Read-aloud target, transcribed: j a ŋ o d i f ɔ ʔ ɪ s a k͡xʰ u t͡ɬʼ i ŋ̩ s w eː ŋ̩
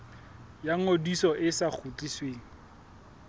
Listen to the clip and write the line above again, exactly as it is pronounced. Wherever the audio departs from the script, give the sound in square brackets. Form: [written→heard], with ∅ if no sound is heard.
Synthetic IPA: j a ŋ o d i [f→s] ɔ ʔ ɪ s a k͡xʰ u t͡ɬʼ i [ŋ̩→∅] s w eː ŋ̩